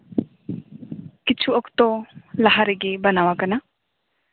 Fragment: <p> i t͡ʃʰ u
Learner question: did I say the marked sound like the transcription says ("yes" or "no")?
no